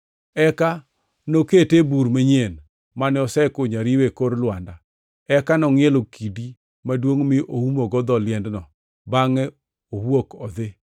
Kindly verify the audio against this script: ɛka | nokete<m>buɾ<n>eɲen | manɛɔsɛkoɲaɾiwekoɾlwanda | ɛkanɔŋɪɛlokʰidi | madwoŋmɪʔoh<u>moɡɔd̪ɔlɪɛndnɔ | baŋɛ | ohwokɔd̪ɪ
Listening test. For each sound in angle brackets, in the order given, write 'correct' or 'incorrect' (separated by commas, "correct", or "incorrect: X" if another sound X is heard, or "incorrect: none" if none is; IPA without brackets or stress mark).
incorrect: none, incorrect: m, correct